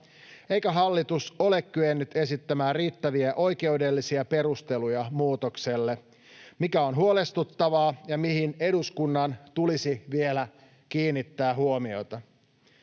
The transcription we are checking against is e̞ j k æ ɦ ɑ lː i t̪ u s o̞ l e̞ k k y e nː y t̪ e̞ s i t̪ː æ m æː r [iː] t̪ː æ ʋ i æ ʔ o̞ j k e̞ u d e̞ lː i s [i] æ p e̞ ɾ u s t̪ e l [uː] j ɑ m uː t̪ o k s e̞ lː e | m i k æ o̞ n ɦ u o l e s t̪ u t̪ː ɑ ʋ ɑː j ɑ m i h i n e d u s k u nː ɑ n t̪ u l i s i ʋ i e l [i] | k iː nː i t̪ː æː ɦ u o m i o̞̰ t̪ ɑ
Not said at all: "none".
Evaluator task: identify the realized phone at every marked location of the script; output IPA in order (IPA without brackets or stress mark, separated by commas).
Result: iː, i, u, æ